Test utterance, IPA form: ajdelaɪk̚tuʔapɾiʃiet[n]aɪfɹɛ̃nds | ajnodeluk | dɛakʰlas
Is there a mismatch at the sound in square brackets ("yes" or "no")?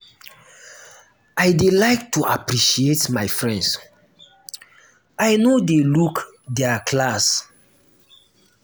yes